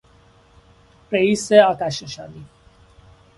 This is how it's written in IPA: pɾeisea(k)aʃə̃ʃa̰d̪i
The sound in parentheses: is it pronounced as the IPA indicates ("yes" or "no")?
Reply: yes